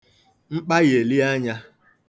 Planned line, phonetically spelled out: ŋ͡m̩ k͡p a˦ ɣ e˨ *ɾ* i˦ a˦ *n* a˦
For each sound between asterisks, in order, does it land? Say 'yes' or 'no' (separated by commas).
no, no